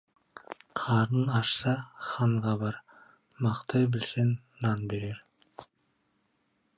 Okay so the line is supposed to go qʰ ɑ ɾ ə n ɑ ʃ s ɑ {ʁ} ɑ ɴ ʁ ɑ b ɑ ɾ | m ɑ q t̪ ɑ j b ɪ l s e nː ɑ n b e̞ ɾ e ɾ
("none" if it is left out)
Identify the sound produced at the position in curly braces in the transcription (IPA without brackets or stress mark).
χ